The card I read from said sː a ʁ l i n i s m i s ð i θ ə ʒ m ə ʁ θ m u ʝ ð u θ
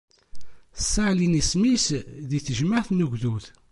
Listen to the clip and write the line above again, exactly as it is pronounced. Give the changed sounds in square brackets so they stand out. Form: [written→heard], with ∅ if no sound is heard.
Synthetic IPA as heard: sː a [ʁ→ʕ] l i n i s m i s ð i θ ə ʒ m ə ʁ θ [m→n] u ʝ ð u θ